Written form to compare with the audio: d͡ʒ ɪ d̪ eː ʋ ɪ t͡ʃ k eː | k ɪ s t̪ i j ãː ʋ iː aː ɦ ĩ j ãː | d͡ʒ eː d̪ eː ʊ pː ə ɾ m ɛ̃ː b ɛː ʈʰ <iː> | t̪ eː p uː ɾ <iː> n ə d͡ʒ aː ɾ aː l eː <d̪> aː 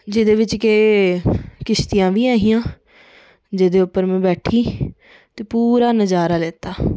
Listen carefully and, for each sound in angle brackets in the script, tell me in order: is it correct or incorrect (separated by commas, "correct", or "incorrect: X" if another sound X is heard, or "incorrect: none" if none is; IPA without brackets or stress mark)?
correct, incorrect: aː, incorrect: t̪